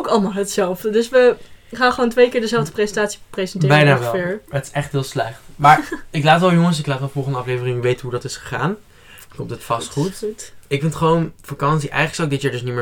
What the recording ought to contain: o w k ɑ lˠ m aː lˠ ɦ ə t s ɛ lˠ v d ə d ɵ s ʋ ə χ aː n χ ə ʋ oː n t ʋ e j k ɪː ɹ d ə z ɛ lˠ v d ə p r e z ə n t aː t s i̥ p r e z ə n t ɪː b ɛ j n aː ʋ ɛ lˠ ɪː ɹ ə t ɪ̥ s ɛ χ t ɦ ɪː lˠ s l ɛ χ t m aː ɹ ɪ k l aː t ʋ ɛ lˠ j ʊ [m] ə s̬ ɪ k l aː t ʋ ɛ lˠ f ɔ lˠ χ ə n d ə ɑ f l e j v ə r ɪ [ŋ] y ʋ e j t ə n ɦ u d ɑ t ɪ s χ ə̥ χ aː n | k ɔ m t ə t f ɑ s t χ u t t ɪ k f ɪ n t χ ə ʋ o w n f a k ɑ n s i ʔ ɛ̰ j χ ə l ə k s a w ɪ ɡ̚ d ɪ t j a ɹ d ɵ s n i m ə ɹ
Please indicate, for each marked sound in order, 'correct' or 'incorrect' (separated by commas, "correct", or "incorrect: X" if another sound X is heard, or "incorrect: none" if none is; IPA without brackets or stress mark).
incorrect: ŋ, correct